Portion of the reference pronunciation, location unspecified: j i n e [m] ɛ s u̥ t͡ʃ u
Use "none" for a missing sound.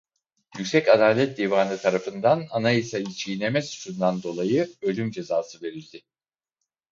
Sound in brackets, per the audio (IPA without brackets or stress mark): m